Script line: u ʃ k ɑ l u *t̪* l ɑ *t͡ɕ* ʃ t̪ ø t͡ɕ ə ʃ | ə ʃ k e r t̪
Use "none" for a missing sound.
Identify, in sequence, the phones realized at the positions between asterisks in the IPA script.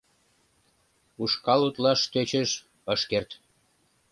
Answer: t̪, none

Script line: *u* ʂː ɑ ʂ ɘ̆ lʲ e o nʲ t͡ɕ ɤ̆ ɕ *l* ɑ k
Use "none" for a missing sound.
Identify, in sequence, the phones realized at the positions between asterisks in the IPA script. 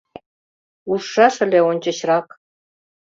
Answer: u, r

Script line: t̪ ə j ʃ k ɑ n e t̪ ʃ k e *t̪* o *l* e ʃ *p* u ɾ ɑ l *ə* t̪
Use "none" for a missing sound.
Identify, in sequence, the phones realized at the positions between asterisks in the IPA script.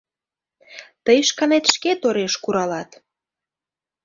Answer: t̪, ɾ, k, ɑ

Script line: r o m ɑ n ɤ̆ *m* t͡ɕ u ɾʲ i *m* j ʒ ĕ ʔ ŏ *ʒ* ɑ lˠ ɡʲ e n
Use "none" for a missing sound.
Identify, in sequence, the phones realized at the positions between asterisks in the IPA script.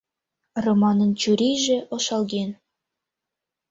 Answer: n, none, ʃ

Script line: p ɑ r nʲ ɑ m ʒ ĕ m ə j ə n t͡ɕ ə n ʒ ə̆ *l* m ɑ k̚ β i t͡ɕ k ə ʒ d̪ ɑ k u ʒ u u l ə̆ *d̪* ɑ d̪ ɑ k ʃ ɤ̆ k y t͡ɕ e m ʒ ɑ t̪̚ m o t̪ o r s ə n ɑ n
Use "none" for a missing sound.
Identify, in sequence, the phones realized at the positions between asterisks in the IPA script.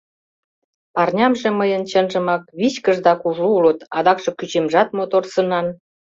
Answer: none, t̪

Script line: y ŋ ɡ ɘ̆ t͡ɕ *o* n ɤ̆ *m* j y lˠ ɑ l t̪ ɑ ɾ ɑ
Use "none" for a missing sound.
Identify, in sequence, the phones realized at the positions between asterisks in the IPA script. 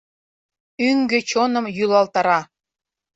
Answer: o, m

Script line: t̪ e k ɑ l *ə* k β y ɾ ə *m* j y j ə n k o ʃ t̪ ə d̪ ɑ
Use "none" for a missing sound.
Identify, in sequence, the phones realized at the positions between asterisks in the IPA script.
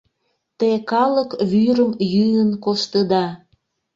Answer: ə, m

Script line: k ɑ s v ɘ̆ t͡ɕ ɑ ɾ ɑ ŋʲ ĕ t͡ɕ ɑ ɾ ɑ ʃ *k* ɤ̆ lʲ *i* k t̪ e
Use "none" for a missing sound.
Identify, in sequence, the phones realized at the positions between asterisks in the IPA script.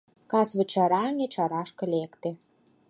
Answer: k, e

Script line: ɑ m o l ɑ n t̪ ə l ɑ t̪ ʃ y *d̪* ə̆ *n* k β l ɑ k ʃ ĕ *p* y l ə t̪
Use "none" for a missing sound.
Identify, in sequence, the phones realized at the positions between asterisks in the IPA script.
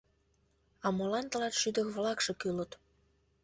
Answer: d̪, none, k

